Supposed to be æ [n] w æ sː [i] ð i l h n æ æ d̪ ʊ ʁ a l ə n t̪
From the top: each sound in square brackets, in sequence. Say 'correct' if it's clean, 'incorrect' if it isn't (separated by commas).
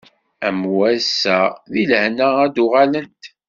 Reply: incorrect, incorrect